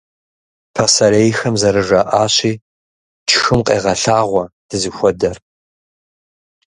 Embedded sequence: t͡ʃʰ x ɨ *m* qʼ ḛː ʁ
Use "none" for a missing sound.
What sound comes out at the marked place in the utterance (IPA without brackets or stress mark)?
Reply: m